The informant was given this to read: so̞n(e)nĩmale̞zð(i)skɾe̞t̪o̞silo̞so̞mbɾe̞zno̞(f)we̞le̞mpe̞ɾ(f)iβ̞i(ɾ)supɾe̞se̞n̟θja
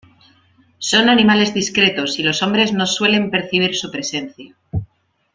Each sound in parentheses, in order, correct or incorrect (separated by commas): incorrect, correct, incorrect, incorrect, correct